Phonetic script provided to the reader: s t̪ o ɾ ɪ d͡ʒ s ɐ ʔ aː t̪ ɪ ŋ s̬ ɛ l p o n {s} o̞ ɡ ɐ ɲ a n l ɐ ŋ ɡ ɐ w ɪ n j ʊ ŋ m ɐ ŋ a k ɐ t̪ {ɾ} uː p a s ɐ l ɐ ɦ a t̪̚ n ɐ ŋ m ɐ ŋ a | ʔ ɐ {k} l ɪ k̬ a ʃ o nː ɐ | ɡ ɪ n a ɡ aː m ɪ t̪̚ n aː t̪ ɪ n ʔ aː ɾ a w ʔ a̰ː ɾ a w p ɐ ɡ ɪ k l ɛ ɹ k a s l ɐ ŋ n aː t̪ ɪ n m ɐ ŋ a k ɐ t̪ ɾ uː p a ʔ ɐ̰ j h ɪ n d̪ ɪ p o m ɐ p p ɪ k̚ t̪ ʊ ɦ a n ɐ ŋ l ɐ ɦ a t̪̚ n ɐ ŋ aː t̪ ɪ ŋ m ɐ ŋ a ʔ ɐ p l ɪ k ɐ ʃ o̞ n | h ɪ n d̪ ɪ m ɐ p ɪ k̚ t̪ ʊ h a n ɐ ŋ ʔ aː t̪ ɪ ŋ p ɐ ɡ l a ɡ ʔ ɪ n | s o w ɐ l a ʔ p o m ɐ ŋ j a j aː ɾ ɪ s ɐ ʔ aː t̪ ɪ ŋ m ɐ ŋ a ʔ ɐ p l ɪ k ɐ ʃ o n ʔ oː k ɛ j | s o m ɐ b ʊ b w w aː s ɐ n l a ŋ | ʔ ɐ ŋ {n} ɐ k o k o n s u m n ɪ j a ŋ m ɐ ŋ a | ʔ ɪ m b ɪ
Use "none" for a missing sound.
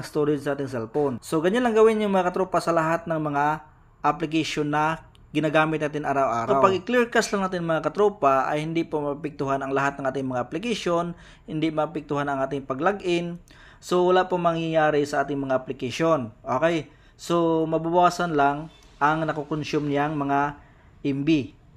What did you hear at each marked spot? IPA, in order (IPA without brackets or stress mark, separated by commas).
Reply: s, ɾ, p, n